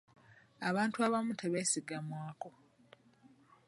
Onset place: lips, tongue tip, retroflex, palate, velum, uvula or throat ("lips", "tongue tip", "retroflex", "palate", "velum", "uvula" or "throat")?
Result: lips